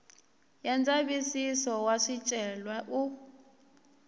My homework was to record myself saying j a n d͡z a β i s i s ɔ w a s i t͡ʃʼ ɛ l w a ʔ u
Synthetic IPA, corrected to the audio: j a n d͡z a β i s i s ɔ w a ʂ i t͡ʃʼ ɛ l w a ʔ u

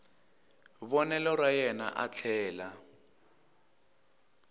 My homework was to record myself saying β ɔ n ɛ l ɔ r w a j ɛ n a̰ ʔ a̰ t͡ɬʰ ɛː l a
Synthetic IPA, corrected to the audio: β ɔ n ɛ l ɔ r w a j ɛ n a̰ ʔ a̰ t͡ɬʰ ɛː l a

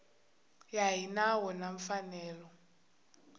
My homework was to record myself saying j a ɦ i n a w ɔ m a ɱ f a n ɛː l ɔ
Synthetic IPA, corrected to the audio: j a ɦ i n a w ɔ n a ɱ f a n ɛː l ɔ

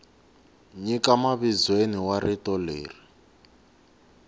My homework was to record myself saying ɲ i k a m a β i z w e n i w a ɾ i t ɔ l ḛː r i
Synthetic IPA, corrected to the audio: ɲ i k a m a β i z w e n i w a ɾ i t ɔ l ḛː r i

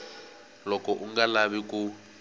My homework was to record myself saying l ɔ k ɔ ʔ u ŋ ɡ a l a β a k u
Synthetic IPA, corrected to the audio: l ɔ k ɔ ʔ u ŋ ɡ a l a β i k u

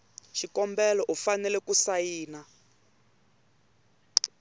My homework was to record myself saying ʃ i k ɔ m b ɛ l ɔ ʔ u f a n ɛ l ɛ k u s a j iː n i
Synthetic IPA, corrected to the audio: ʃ i k ɔ m b ɛ l ɔ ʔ u f a n ɛ l ɛ k u s a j iː n a

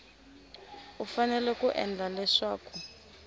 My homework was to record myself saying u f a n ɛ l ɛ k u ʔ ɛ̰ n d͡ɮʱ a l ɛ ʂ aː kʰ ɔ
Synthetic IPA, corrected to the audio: u f a n ɛ l ɛ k u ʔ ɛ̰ n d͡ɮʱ a l ɛ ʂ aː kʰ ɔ

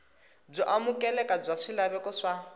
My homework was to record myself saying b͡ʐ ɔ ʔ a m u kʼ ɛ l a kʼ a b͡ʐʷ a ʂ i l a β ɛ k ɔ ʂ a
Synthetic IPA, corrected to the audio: b͡ʐ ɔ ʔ a m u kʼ ɛ l ɛ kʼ a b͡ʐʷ a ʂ i l a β ɛ k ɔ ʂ a

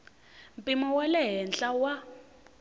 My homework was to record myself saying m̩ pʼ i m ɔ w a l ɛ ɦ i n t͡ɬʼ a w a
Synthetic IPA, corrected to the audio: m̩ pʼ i m ɔ w a l ɛ ɦ ɛ n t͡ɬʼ a w a

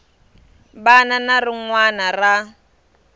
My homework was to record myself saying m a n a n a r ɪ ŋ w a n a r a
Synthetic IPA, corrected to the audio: b a n a n a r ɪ ŋ w a n a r a

